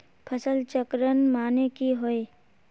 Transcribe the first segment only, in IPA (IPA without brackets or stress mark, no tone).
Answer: pʰ